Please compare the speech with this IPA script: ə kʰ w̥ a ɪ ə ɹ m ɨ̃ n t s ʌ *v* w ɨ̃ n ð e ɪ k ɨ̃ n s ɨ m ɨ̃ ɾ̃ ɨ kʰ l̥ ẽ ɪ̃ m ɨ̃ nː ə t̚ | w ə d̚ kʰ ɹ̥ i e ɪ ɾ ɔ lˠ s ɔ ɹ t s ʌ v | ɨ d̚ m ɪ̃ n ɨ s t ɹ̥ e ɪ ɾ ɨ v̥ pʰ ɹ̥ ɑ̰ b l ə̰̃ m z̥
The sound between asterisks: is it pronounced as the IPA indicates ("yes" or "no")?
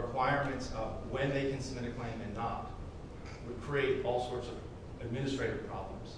yes